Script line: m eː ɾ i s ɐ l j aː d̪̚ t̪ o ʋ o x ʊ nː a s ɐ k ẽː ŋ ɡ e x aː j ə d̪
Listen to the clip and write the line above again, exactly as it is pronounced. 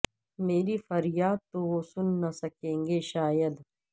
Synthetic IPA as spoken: m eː ɾ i f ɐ ɾ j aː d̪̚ t̪ o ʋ o s ʊ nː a s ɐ k ẽː ŋ ɡ e ʃ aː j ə d̪